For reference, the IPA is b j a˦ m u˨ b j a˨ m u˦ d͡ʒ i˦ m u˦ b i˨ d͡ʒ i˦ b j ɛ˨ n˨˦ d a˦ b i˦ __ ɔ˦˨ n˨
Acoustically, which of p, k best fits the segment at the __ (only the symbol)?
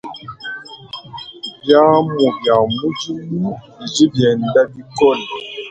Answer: k